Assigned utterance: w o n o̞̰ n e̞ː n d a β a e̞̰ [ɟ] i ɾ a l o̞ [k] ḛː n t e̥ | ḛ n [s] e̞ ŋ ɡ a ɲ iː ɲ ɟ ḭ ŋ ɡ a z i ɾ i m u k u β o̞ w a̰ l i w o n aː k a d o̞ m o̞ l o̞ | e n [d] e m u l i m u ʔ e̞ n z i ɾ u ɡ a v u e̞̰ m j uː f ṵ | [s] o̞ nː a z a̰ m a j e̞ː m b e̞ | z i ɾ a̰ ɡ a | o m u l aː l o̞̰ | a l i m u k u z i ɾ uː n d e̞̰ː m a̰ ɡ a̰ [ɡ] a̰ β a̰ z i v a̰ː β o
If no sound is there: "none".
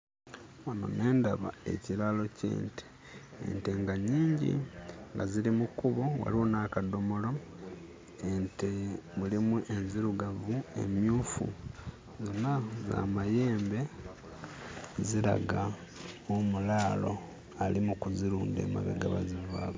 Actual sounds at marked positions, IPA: c, c, t, t, z, ɡ

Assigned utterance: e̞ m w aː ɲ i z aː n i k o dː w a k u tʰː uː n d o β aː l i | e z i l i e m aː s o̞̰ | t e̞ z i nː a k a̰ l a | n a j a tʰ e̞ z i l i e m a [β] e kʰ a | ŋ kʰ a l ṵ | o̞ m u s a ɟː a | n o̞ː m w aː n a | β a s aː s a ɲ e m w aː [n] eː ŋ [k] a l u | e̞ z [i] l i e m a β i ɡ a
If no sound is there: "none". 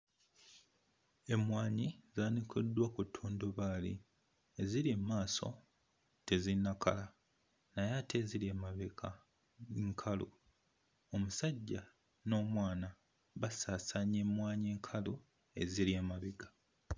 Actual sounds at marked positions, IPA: β, ɲ, kʰ, i

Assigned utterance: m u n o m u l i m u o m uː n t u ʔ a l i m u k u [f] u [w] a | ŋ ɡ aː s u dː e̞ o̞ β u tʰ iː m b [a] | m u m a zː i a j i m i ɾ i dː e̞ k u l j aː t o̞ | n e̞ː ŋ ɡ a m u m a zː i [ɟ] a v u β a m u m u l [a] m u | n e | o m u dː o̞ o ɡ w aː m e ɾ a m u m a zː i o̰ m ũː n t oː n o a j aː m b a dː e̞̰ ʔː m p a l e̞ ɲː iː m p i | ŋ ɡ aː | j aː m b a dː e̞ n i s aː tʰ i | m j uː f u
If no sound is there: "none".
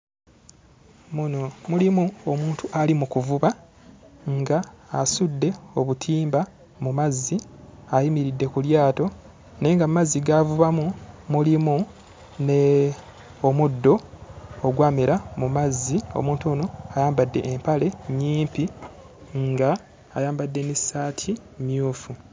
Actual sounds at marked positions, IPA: v, β, a, ɡ, i

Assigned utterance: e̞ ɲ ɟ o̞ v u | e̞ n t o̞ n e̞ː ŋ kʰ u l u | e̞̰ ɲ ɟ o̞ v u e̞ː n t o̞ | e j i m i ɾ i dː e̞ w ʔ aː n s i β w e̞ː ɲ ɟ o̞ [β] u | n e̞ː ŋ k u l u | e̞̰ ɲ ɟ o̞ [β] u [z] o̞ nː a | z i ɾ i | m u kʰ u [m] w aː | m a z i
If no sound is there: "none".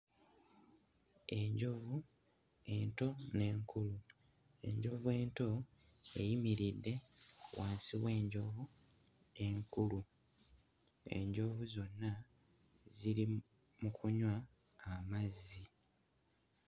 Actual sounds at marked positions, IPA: v, v, z, ɲ

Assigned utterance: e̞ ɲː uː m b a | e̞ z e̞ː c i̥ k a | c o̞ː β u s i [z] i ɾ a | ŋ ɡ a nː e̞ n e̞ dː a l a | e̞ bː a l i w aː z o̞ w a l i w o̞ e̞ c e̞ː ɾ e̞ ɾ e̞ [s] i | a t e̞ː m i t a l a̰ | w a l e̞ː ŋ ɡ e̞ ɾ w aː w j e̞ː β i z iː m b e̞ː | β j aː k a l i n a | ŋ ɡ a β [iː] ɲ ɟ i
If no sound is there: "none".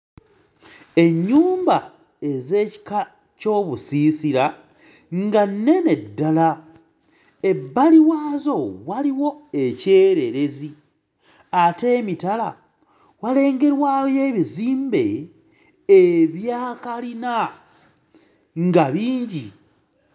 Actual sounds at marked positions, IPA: s, z, iː

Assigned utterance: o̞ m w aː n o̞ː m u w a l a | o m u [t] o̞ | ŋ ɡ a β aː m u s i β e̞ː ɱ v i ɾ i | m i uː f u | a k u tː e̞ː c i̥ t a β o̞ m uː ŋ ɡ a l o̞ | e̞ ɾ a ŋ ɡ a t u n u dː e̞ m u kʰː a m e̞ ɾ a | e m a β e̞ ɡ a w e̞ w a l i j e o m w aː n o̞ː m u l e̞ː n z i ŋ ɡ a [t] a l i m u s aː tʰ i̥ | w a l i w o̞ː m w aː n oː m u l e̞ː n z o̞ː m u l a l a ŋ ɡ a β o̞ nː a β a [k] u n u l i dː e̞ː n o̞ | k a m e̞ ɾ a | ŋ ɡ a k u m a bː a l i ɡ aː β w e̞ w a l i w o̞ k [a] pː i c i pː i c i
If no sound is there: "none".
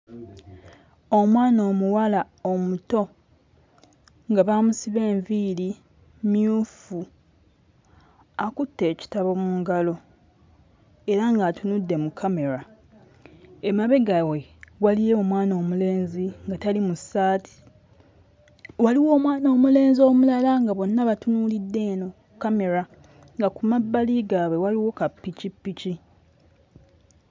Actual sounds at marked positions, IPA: t, t, t, a

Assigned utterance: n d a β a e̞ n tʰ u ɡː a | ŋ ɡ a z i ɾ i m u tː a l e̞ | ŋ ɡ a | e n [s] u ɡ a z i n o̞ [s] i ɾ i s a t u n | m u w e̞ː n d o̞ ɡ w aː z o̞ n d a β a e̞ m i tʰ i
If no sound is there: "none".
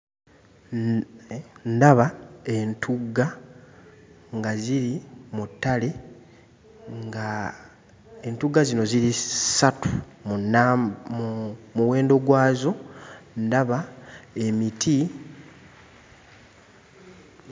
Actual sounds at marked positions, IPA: t, z

